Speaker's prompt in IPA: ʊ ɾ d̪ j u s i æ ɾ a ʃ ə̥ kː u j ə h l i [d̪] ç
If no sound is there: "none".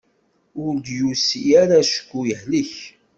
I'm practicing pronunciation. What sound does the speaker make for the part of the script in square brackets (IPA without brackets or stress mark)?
none